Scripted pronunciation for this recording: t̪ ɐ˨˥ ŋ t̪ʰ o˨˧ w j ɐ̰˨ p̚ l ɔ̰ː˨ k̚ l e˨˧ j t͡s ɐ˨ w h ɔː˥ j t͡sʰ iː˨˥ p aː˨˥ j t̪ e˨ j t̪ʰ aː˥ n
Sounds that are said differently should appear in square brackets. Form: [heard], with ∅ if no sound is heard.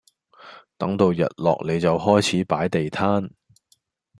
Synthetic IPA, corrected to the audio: t̪ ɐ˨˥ ŋ [t̪] o˨˧ w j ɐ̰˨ [t̚] l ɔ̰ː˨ k̚ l e˨˧ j t͡s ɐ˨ w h ɔː˥ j t͡sʰ iː˨˥ p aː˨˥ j t̪ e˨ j t̪ʰ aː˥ n